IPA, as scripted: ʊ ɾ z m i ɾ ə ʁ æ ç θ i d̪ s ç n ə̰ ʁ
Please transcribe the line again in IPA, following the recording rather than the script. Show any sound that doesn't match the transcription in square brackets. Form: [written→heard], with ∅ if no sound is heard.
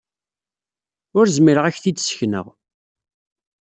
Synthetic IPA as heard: ʊ ɾ z m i ɾ ə ʁ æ ç θ i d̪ s ç n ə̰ ʁ